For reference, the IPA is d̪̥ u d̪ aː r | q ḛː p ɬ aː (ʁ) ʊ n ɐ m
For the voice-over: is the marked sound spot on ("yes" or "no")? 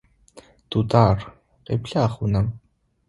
no